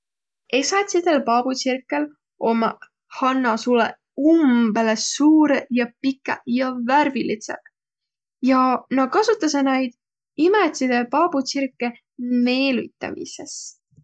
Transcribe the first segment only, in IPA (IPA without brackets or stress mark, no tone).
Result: e̞